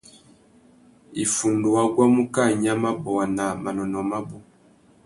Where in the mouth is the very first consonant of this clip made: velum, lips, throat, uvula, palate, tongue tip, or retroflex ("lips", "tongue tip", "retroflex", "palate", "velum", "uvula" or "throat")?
lips